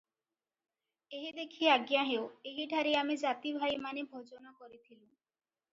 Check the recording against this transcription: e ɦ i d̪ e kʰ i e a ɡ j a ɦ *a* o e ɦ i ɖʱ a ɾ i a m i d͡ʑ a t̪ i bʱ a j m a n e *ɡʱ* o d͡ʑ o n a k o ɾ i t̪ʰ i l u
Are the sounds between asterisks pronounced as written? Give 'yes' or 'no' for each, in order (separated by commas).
no, no